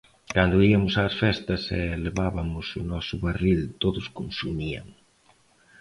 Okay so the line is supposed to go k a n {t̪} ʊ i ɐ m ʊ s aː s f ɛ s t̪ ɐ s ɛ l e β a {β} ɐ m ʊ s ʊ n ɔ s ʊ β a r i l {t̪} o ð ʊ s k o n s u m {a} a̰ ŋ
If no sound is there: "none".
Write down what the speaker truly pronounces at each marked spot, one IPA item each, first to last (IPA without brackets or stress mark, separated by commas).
d̪, β, t̪, i